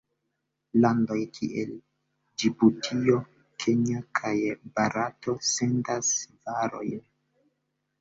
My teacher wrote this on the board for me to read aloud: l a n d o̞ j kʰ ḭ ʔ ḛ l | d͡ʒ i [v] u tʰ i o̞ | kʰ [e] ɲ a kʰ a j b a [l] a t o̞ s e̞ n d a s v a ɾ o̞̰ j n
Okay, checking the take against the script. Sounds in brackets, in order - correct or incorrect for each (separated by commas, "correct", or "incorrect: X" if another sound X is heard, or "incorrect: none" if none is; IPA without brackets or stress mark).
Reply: incorrect: b, correct, incorrect: ɾ